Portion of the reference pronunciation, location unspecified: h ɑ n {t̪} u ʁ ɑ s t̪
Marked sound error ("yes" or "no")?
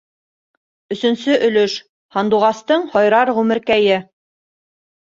yes